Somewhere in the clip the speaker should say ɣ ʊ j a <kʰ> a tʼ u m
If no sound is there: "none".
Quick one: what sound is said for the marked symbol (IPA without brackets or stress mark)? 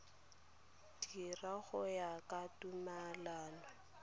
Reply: k